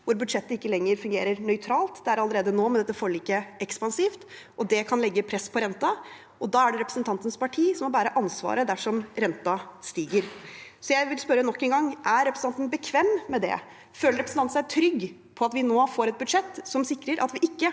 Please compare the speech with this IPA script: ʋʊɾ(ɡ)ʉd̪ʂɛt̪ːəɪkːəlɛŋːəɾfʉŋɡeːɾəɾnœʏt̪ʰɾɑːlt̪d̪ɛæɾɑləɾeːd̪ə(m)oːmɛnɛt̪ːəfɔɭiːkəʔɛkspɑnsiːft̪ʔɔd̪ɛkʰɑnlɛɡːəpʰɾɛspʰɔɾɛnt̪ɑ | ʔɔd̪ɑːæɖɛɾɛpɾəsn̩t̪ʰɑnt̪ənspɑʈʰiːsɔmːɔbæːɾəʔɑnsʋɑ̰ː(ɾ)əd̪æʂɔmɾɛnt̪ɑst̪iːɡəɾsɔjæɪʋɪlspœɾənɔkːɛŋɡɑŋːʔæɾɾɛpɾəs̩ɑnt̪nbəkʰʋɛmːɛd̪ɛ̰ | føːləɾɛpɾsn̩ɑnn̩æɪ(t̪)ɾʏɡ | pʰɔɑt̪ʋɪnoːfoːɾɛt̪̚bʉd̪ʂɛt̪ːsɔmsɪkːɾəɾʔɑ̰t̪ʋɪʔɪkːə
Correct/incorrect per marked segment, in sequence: incorrect, incorrect, correct, incorrect

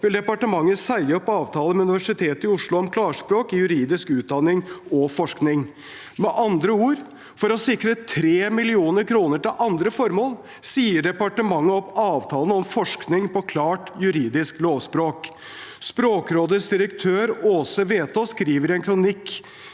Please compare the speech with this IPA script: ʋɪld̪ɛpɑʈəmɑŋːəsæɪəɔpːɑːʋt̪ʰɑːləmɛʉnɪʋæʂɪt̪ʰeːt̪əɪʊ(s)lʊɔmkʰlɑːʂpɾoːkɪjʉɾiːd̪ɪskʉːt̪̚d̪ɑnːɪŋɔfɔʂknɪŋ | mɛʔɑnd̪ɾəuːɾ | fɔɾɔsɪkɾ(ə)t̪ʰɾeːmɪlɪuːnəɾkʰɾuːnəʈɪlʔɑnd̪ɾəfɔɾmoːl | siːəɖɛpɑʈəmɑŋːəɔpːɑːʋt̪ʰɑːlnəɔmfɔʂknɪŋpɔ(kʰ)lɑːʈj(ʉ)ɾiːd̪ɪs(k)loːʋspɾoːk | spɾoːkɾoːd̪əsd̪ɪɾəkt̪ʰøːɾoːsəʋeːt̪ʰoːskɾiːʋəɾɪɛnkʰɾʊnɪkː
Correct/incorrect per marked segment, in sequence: incorrect, correct, correct, correct, correct

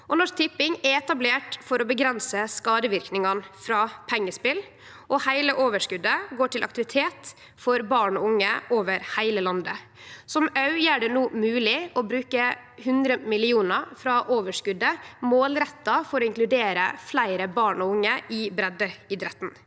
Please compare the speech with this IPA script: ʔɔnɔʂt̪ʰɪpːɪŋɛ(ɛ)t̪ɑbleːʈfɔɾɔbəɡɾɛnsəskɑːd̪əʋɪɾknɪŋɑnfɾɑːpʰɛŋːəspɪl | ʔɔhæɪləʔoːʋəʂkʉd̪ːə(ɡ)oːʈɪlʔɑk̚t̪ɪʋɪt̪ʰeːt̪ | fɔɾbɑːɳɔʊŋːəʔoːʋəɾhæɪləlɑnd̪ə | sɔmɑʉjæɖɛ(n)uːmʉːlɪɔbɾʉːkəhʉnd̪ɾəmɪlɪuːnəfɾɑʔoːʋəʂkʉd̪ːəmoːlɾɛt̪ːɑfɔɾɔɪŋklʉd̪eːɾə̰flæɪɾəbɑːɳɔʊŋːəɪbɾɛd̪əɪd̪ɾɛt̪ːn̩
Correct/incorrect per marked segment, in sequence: correct, correct, correct

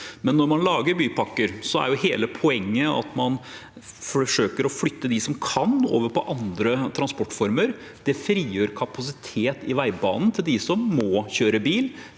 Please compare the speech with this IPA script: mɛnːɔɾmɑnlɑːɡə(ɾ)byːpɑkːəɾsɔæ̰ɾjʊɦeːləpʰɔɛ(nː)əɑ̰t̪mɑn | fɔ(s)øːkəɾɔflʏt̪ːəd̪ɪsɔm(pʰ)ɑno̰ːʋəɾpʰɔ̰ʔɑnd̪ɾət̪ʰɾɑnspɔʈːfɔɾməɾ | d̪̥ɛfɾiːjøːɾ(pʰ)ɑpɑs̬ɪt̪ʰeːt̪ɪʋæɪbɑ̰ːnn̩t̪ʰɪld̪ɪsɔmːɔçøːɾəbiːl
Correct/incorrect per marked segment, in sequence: correct, incorrect, incorrect, incorrect, incorrect

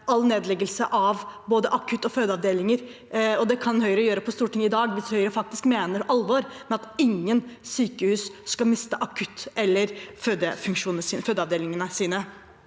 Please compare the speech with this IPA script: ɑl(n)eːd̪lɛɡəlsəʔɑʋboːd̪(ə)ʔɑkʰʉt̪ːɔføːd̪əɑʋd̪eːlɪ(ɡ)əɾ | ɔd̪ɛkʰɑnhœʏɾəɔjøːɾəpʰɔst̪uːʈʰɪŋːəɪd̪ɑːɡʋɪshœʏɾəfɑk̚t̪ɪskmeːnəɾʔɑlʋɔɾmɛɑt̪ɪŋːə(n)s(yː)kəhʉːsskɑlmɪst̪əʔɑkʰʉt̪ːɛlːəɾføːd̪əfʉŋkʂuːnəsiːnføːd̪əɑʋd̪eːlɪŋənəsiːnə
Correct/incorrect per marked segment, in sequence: correct, correct, incorrect, correct, correct

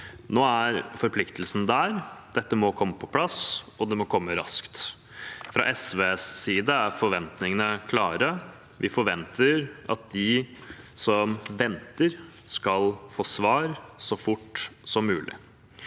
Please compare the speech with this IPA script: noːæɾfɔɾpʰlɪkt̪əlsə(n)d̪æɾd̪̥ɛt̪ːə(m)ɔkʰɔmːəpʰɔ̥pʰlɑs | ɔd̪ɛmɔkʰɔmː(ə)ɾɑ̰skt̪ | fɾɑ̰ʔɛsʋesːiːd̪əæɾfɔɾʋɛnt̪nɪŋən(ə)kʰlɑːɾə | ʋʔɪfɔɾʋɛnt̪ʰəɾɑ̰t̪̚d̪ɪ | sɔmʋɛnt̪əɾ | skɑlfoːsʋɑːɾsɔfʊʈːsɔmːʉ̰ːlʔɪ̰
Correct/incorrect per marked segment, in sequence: correct, correct, correct, correct

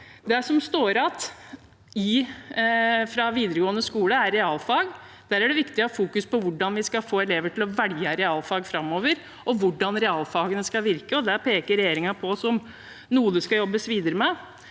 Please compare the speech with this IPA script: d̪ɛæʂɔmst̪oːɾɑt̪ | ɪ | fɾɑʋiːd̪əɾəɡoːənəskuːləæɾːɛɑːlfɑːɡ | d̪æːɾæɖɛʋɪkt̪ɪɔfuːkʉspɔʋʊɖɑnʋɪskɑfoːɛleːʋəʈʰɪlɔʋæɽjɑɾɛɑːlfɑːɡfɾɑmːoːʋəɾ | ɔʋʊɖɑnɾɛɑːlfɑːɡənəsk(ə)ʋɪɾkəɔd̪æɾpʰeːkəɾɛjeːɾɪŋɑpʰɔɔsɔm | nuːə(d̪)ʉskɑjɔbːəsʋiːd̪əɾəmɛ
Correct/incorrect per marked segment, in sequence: incorrect, correct

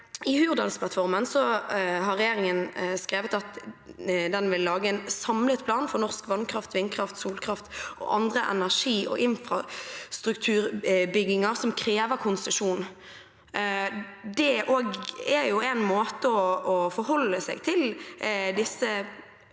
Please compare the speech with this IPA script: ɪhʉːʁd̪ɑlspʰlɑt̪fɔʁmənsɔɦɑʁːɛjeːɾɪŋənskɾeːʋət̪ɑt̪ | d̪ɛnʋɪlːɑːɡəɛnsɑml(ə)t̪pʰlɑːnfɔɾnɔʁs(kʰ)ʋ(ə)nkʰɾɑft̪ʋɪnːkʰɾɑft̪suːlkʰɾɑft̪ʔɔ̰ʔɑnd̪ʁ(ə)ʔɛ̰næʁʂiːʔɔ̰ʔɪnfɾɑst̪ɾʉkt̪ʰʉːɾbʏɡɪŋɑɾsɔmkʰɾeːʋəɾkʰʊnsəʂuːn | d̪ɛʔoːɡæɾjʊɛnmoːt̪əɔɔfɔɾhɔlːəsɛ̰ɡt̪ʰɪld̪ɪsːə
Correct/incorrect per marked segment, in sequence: correct, incorrect, incorrect, correct

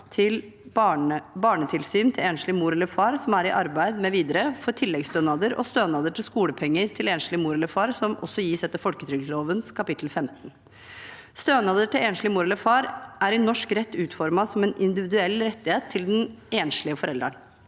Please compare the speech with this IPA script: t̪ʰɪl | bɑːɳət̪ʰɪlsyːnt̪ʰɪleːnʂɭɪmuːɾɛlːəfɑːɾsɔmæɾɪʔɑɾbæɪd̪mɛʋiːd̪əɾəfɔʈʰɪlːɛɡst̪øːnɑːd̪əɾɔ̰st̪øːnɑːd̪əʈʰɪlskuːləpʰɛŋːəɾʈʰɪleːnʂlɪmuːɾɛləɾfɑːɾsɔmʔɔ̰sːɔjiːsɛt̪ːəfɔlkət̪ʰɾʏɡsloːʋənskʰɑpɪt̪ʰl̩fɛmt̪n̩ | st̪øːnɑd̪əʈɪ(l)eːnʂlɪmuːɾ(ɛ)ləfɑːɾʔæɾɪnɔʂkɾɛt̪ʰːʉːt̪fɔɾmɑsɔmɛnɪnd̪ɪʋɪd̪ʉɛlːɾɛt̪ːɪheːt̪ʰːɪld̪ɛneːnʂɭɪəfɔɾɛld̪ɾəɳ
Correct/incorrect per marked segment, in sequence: correct, correct

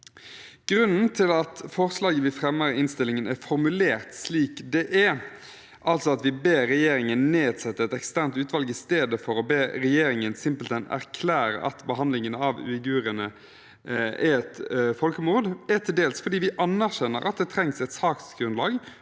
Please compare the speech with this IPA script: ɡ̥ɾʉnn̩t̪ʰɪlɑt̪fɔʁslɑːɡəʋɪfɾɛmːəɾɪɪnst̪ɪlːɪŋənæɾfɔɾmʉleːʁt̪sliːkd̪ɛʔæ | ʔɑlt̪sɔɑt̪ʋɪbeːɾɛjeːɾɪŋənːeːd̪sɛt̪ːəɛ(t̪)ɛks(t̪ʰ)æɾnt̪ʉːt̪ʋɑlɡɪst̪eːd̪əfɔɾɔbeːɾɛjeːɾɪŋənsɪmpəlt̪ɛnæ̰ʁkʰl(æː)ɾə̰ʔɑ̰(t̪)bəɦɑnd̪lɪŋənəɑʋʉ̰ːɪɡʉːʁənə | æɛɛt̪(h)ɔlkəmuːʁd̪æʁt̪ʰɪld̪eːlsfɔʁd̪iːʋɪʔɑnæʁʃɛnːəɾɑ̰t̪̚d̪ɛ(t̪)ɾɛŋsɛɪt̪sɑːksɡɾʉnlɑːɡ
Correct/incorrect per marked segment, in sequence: correct, incorrect, correct, correct, incorrect, incorrect

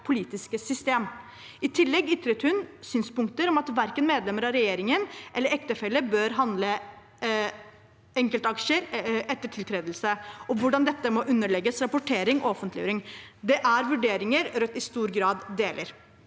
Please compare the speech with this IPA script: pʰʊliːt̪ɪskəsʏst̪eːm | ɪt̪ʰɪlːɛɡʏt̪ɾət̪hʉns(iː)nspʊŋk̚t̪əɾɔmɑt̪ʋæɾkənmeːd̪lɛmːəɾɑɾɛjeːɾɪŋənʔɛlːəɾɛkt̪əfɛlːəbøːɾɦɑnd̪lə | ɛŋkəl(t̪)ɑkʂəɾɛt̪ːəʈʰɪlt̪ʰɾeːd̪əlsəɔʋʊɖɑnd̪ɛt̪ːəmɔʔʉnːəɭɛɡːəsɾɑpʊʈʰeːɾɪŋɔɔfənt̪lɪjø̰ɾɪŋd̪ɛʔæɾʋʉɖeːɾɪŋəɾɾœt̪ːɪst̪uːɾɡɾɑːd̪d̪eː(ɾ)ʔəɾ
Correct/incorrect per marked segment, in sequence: incorrect, correct, incorrect

